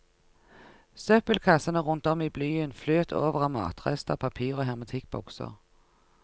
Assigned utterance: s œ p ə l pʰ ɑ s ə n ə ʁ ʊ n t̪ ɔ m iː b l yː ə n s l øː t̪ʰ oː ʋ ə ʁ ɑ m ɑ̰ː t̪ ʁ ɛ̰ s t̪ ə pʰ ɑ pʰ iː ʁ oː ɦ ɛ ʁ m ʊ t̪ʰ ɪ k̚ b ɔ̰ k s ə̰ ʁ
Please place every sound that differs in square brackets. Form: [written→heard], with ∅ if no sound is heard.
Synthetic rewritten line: s œ p ə l [pʰ→kʰ] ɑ s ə n ə ʁ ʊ n t̪ ɔ m iː b l yː ə n [s→f] l øː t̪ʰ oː ʋ ə ʁ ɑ m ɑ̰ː t̪ ʁ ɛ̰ s t̪ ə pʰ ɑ pʰ iː ʁ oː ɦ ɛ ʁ m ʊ t̪ʰ ɪ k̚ b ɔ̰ k s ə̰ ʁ

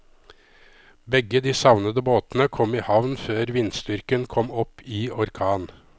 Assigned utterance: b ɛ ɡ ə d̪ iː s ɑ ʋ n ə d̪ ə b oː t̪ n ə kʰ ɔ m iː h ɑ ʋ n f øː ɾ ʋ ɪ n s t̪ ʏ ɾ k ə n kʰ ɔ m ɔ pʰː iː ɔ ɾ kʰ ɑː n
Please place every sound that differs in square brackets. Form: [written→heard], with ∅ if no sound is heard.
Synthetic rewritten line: b ɛ ɡ ə d̪ iː s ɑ ʋ n ə d̪ ə b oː t̪ n ə kʰ ɔ m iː h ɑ ʋ n f øː ɾ ʋ ɪ n s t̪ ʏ ɾ k ə n kʰ ɔ m ɔ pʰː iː ɔ ɾ kʰ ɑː n

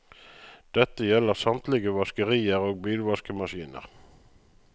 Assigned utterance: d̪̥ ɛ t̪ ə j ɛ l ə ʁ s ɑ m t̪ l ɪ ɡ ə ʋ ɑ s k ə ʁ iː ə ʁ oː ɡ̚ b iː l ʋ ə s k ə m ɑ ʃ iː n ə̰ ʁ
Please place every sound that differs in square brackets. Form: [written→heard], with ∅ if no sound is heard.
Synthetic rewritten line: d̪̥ ɛ t̪ ə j ɛ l ə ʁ s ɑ m t̪ l ɪ ɡ ə ʋ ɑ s k ə ʁ iː ə ʁ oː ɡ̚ b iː l ʋ [ə→ɑ] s k ə m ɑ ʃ iː n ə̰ ʁ

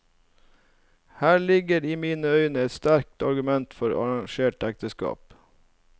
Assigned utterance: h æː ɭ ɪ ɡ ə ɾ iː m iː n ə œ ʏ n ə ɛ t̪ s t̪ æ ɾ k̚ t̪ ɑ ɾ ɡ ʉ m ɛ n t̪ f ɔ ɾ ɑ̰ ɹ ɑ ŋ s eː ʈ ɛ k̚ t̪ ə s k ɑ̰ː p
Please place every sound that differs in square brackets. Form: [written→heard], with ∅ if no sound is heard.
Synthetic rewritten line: h æː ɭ ɪ ɡ ə ɾ iː m iː n ə œ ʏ n ə ɛ t̪ s t̪ æ ɾ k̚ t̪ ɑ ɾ ɡ ʉ m ɛ n t̪ f ɔ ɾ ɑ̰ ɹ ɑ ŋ [s→ʃ] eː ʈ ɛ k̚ t̪ ə s k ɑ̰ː p

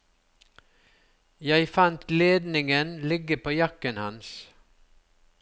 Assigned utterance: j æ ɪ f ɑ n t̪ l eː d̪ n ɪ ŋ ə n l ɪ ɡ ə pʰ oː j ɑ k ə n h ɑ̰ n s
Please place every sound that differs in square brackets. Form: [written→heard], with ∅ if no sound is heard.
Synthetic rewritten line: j æ ɪ f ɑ n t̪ l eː d̪ n ɪ ŋ ə n l ɪ ɡ ə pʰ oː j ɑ k ə n h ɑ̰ n s

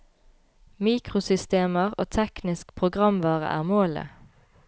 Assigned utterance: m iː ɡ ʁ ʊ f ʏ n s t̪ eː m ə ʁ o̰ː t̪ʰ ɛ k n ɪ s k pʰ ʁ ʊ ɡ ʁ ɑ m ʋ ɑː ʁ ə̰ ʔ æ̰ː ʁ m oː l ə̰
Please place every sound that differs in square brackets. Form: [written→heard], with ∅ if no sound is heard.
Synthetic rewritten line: m iː [ɡ→k] ʁ ʊ [f→s] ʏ [n→∅] s t̪ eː m ə ʁ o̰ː t̪ʰ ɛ k n ɪ s k pʰ ʁ ʊ ɡ ʁ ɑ m ʋ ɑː ʁ ə̰ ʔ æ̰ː ʁ m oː l ə̰

